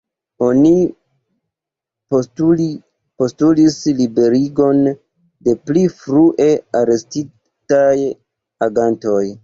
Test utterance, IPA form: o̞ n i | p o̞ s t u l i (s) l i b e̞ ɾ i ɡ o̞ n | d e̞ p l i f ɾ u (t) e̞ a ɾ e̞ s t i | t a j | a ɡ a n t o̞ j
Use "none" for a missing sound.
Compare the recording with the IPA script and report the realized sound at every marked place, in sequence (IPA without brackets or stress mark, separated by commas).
s, ʔ